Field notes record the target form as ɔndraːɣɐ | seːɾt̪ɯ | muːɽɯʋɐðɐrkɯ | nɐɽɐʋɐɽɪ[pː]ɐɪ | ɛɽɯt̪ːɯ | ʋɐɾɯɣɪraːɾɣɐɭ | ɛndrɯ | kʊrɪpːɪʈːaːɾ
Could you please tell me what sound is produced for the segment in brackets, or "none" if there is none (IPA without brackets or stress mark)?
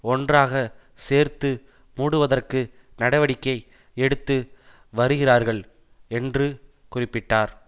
kː